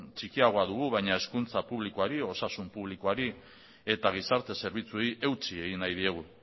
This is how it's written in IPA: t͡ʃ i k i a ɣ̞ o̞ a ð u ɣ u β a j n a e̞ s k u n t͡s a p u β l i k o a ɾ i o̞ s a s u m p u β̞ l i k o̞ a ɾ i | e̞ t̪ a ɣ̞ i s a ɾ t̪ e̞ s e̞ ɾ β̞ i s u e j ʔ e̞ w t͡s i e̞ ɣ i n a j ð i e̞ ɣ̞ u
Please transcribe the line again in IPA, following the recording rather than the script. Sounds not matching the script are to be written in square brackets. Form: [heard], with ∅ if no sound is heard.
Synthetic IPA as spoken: t͡ʃ i k i a ɣ̞ o̞ a ð u ɣ u β a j [ɲ] a e̞ s k u n t͡s a p u β l i k o a ɾ i o̞ s a s u m p u β̞ l i k o̞ a ɾ i | e̞ t̪ a ɣ̞ i s a ɾ t̪ e̞ s e̞ ɾ β̞ i [t͡s] u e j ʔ e̞ w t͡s i e̞ ɣ i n a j ð i e̞ ɣ̞ u